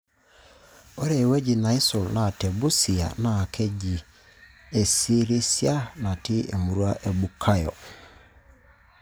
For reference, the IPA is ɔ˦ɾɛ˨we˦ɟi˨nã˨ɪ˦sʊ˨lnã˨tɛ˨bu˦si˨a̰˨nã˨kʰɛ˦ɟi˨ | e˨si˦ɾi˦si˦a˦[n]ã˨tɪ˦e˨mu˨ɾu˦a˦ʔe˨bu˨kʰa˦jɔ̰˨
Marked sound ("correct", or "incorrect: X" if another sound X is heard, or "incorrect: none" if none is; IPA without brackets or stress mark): correct